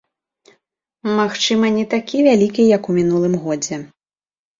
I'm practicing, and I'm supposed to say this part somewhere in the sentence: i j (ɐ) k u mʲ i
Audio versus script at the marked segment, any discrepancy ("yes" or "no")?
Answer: no